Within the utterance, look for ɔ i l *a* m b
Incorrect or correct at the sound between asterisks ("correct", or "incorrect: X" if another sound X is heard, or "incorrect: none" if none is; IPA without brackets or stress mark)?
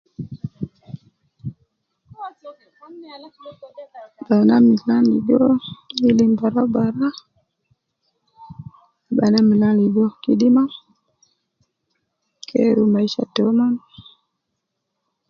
incorrect: i